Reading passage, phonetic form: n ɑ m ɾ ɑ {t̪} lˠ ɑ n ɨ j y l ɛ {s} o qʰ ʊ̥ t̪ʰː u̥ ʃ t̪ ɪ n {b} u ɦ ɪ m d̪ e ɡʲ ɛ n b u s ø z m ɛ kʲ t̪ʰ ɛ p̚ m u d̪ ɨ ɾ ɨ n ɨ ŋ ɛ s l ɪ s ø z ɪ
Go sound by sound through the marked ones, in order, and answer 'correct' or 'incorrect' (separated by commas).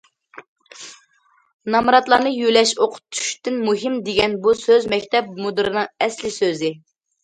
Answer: correct, incorrect, incorrect